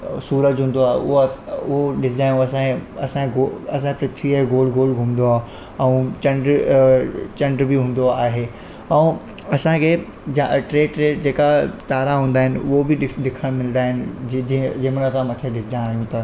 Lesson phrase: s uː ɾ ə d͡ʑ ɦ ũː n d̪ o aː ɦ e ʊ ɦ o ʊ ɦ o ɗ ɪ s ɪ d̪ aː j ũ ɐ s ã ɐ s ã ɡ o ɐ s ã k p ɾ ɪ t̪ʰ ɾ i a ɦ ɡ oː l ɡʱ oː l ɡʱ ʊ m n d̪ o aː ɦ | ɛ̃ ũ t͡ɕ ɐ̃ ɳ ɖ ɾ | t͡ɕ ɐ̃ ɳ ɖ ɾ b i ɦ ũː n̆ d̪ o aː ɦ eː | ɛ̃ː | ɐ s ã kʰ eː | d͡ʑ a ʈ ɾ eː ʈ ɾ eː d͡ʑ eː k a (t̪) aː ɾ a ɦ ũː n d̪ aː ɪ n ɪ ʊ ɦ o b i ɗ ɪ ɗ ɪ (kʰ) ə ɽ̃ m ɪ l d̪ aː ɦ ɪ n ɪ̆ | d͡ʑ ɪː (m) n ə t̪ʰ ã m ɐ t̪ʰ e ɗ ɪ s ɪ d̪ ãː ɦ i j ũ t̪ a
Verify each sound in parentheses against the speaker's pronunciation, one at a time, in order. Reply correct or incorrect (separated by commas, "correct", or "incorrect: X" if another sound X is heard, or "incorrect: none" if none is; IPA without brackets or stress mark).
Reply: correct, correct, correct